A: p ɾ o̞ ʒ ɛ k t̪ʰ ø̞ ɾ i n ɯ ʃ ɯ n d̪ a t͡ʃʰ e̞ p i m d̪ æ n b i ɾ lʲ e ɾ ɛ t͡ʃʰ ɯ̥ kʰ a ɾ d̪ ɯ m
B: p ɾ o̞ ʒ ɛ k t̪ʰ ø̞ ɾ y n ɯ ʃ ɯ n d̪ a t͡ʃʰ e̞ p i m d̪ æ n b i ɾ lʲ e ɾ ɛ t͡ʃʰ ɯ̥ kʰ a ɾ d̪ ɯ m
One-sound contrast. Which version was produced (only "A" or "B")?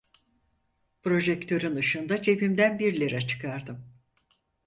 B